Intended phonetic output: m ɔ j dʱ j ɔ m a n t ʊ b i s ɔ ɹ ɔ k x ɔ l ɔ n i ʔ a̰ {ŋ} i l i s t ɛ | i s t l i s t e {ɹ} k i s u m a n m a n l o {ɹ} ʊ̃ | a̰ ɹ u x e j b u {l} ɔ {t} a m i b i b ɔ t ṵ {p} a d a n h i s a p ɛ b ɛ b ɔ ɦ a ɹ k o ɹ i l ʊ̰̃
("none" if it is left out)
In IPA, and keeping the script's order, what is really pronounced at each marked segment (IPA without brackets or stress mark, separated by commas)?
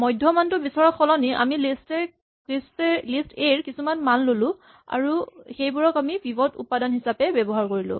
m, ɹ, l, ɹ, k, p